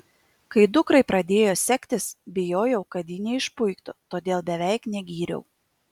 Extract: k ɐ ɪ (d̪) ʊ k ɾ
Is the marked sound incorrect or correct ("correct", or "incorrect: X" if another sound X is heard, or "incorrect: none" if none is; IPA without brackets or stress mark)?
correct